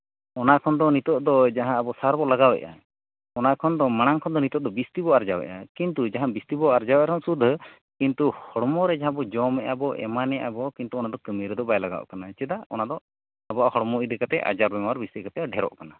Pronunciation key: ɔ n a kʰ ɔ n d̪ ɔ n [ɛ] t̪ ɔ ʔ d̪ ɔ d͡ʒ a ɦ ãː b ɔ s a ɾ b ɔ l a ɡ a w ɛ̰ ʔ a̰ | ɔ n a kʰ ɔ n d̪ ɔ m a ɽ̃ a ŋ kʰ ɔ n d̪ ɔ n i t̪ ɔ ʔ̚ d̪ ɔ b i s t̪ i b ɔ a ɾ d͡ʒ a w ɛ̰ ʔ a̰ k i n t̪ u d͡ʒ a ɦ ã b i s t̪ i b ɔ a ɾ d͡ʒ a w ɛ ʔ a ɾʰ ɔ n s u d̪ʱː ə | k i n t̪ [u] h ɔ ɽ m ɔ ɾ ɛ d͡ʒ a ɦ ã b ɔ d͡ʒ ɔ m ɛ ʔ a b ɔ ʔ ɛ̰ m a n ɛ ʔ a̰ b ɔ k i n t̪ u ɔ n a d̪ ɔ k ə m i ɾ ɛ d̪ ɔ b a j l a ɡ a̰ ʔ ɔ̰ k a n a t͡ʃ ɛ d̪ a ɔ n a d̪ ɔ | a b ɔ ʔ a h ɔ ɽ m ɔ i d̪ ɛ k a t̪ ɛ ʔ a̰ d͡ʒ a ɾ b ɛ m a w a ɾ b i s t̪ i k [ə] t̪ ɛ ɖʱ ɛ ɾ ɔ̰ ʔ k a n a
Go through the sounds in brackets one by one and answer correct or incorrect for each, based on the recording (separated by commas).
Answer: incorrect, correct, incorrect